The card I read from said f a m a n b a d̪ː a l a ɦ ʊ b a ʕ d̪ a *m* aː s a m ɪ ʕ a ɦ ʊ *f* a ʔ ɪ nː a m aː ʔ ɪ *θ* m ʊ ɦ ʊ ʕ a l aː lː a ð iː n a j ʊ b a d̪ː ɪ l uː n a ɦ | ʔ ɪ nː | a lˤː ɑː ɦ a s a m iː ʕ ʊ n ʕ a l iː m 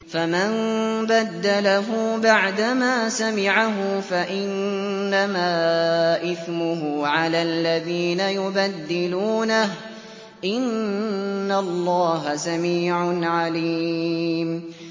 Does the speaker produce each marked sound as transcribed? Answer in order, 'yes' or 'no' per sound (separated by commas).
yes, yes, yes